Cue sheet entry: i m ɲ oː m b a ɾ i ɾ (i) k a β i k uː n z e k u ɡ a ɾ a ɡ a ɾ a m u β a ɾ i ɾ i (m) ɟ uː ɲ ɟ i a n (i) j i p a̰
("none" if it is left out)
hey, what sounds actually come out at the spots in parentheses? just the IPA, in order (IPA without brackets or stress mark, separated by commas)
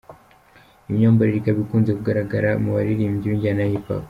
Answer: i, m, a